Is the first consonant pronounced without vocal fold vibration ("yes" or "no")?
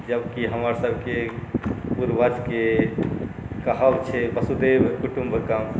no